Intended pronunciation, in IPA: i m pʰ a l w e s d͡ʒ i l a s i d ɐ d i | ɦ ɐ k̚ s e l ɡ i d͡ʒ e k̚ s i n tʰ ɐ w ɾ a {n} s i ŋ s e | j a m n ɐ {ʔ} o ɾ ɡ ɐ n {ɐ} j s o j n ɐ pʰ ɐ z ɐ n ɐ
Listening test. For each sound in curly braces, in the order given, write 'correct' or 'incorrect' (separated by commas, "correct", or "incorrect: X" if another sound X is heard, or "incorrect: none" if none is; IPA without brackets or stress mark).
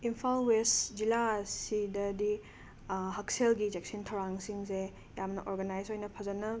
incorrect: ŋ, correct, incorrect: a